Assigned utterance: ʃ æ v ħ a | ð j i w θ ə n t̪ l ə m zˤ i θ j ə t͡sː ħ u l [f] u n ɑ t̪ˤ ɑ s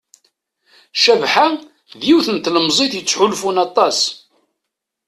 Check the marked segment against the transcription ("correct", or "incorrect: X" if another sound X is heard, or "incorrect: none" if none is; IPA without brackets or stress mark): correct